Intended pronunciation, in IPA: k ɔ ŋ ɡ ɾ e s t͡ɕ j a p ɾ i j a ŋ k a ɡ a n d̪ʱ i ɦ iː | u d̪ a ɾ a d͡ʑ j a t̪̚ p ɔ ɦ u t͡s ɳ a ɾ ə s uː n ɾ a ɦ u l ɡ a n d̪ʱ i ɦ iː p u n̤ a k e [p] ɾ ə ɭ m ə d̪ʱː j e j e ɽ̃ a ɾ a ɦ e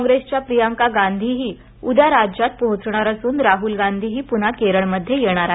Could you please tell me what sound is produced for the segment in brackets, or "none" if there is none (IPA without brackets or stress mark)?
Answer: none